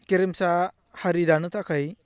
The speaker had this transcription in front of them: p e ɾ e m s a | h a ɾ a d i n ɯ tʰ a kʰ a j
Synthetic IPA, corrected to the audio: k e ɾ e m s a | h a ɾ i d a n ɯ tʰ a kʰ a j